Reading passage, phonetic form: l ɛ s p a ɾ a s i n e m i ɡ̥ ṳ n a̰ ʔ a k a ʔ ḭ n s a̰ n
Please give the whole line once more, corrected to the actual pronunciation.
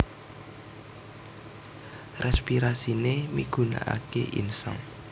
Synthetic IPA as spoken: r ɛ s p i ɾ a s i n e m i ɡ̥ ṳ n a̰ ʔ a k e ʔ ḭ n s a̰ ŋ